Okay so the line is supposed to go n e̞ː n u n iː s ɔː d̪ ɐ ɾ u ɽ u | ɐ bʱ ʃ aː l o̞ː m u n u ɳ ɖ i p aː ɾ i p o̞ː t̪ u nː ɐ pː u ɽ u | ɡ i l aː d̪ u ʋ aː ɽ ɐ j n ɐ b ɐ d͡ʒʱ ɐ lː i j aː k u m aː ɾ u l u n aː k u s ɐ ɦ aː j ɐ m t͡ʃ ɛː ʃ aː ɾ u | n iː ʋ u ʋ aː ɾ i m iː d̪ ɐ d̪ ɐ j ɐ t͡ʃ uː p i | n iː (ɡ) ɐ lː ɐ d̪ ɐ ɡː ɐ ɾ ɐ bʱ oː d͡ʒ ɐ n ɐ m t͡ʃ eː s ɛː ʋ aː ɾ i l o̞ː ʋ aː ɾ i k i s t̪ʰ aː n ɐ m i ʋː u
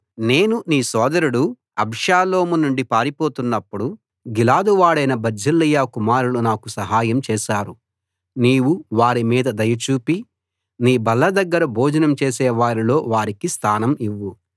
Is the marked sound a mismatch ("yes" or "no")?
yes